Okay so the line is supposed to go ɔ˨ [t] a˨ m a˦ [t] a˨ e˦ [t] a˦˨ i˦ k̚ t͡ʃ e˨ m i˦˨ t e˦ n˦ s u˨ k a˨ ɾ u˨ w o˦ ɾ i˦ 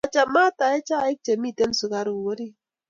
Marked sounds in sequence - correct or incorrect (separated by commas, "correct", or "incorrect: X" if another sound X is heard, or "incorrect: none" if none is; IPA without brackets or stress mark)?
incorrect: t͡ʃ, correct, incorrect: t͡ʃ